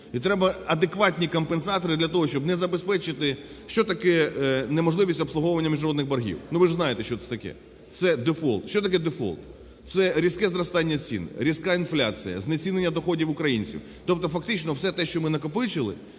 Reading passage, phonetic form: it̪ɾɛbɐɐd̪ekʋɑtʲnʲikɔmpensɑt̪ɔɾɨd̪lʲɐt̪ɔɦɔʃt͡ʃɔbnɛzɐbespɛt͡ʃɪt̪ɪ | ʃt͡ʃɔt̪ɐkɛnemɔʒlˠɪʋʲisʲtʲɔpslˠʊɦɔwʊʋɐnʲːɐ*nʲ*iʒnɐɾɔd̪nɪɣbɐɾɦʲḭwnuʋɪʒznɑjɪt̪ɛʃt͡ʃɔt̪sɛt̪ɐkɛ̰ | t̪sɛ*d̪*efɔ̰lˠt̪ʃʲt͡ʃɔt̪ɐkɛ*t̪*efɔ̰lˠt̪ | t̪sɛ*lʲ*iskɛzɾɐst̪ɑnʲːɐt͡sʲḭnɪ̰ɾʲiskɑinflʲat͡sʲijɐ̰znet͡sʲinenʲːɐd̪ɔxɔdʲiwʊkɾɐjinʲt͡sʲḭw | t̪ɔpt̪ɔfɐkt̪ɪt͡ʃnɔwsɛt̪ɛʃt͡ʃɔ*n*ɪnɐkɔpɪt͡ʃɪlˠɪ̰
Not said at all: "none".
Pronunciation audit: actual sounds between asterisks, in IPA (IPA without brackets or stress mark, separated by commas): mʲ, d̪, d̪, ɾʲ, m